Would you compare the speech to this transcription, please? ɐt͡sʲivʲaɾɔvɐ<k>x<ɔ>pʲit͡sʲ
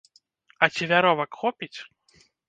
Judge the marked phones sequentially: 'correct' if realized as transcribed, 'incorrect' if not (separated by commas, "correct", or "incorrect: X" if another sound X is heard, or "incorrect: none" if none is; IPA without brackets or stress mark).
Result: correct, correct